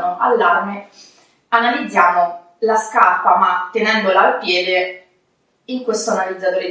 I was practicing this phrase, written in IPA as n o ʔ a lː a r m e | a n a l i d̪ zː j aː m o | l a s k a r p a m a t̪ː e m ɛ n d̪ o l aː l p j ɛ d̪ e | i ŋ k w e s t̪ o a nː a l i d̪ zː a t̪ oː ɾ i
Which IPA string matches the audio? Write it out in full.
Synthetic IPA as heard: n o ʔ a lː a r m e | a n a l i d̪ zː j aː m o | l a s k a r p a m a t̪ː e n ɛ n d̪ o l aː l p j ɛː d̪ e | i ŋ k w e s t̪ o a n a l i d̪ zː a t̪ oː ɾ e